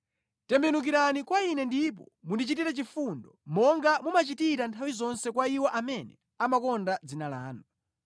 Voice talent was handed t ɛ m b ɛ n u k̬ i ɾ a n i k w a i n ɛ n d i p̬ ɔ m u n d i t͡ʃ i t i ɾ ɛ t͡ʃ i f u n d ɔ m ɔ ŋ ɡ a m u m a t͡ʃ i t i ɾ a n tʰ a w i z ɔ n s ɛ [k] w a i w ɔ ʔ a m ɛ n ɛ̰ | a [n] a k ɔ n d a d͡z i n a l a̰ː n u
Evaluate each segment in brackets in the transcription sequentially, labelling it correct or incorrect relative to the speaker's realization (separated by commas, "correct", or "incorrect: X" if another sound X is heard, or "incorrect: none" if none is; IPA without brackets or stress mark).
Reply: correct, incorrect: m